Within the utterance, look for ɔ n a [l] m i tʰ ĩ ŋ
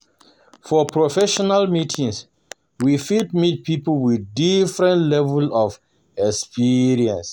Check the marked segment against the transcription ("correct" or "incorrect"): correct